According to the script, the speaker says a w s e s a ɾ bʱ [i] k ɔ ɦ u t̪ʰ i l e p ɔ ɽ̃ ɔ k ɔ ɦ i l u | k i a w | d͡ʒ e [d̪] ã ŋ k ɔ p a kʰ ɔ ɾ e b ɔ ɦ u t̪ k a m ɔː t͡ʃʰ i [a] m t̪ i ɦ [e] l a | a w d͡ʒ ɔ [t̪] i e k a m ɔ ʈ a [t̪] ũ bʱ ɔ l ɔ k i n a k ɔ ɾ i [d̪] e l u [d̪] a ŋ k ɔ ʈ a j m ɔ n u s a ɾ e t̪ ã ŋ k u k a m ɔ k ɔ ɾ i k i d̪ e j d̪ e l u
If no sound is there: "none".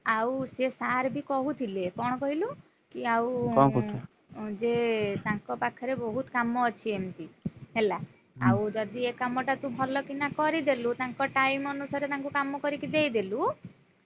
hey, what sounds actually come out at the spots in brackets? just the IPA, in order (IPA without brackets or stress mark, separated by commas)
i, t̪, e, e, d̪, t̪, d̪, t̪